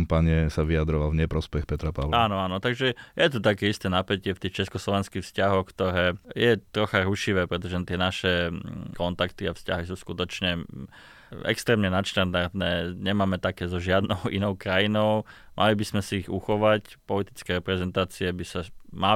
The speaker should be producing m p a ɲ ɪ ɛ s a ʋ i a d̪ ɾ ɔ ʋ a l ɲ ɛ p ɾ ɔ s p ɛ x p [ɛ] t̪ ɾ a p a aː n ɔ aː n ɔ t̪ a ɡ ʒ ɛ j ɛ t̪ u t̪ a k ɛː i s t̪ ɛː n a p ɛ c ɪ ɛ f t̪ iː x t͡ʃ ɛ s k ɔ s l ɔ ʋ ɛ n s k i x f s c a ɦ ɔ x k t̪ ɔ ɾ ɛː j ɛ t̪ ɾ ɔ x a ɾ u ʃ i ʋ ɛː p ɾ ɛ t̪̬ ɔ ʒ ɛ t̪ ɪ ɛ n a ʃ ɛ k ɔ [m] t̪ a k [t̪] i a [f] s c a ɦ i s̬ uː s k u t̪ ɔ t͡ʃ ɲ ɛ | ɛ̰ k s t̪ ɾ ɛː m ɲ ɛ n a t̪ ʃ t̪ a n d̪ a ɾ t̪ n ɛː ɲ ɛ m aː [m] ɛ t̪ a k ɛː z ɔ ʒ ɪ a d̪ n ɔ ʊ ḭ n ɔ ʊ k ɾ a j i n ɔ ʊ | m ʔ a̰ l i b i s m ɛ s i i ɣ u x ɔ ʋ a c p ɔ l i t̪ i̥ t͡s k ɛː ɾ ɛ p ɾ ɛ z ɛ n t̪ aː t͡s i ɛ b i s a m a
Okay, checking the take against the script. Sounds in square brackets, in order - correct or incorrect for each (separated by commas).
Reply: correct, incorrect, correct, correct, correct